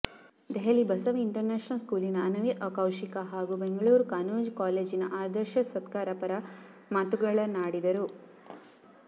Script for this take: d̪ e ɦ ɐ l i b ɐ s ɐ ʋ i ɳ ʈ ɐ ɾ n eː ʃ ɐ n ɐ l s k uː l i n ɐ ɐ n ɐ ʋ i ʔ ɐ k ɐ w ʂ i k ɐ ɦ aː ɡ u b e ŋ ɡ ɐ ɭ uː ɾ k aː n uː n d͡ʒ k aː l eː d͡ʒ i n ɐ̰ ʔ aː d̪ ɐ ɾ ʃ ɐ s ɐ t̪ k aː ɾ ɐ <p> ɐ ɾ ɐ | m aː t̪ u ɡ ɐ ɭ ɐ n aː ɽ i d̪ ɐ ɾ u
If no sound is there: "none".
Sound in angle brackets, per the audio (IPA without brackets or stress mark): p